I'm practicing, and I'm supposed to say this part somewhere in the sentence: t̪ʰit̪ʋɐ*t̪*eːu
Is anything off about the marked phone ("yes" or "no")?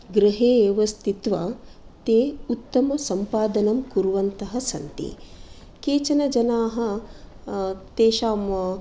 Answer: no